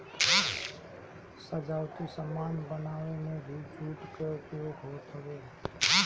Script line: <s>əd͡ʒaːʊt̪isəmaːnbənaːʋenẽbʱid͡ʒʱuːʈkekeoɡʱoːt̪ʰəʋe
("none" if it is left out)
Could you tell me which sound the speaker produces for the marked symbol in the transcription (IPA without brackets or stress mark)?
s